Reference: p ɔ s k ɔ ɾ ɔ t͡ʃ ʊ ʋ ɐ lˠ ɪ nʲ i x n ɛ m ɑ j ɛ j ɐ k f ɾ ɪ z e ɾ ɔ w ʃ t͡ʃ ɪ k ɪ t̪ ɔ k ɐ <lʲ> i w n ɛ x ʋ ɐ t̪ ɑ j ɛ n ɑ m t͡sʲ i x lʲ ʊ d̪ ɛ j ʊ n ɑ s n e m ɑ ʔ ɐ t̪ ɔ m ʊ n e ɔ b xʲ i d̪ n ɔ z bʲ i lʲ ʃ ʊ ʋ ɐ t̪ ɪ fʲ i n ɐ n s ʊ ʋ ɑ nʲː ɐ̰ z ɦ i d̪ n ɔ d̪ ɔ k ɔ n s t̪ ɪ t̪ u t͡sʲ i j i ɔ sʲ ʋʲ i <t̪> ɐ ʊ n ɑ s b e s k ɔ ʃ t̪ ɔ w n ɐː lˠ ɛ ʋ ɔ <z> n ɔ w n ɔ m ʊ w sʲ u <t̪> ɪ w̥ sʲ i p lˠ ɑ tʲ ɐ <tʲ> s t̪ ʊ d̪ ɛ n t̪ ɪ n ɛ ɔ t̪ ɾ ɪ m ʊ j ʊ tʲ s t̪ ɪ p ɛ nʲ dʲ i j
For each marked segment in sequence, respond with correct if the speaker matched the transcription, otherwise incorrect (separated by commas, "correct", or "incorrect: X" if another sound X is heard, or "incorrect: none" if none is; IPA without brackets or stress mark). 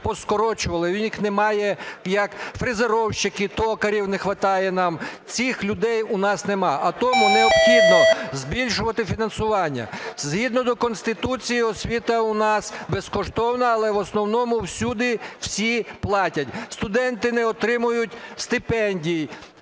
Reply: incorrect: ɾʲ, correct, incorrect: s, incorrect: d̪, correct